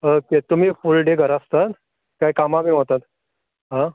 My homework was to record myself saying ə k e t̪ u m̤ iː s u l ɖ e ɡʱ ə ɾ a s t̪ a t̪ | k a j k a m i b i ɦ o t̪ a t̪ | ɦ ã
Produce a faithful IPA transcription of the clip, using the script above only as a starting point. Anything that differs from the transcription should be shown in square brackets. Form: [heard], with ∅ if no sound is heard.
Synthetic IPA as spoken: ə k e t̪ u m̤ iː [f] u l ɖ e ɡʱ ə ɾ a s t̪ a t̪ | k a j k a m [a] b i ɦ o t̪ a t̪ | ɦ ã